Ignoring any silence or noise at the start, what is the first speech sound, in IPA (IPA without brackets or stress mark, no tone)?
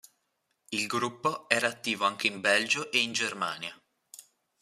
i